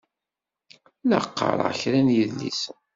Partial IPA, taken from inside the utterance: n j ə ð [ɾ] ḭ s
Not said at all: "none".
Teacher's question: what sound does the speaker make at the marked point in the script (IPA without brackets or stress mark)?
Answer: l